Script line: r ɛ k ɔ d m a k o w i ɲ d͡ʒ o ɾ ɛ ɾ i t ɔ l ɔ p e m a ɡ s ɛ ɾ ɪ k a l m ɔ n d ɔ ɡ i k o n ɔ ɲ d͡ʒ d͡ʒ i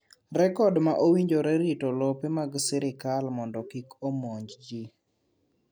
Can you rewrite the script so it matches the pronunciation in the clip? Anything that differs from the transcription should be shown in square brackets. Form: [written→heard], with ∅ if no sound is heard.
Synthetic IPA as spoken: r ɛ k ɔ d m a [k→ʔ] o w i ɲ d͡ʒ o ɾ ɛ ɾ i t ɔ l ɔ p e m a ɡ s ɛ ɾ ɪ k a l m ɔ n d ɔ [ɡ→k] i k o [n→m] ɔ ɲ d͡ʒ d͡ʒ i